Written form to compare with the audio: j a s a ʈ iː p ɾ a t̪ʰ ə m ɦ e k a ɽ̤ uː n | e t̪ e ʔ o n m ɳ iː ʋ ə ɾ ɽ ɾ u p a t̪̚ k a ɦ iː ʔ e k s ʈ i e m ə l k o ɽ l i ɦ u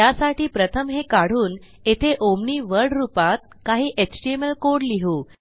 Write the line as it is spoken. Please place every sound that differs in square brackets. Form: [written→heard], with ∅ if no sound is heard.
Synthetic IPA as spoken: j a s a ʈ iː p ɾ [a→ə] t̪ʰ ə m ɦ e k a ɽ̤ uː n | e [t̪→t̪ʰ] e ʔ o [n→∅] m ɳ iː ʋ ə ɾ ɽ ɾ u p a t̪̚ k a ɦ iː ʔ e k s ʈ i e m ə l k o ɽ l i ɦ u